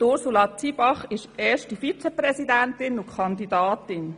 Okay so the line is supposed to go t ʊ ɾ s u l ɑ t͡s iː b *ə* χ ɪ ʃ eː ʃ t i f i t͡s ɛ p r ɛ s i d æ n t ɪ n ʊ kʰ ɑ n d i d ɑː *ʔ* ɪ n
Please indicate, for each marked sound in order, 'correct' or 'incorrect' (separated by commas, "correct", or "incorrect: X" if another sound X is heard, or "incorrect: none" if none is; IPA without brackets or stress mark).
incorrect: ɑ, incorrect: t